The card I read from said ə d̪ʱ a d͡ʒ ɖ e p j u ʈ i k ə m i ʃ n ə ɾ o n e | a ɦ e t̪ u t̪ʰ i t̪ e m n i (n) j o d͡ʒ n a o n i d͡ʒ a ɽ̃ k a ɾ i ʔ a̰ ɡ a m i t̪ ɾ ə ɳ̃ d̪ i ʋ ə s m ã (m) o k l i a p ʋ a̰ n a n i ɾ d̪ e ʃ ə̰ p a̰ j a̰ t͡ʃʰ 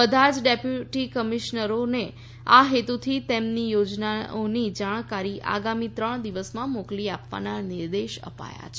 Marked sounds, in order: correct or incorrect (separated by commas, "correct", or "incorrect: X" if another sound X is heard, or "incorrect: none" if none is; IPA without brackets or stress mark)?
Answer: incorrect: none, correct